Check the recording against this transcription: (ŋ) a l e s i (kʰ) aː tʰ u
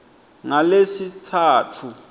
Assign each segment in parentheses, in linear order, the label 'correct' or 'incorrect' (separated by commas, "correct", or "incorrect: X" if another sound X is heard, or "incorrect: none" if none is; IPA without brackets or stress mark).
correct, incorrect: tʰ